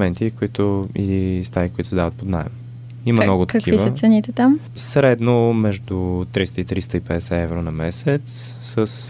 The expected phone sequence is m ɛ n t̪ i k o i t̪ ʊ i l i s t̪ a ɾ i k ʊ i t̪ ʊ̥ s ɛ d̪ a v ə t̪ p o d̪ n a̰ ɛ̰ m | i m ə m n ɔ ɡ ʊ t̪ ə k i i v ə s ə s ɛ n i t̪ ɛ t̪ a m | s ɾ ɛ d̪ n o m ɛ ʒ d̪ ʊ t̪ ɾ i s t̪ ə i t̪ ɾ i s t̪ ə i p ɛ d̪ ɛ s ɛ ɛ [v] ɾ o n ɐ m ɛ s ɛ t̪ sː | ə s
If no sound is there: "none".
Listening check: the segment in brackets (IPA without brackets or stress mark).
v